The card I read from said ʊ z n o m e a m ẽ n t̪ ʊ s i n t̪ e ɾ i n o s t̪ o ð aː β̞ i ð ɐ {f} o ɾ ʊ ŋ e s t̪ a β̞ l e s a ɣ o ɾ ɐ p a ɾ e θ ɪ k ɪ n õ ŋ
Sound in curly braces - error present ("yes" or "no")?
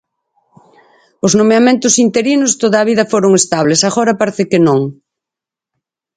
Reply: no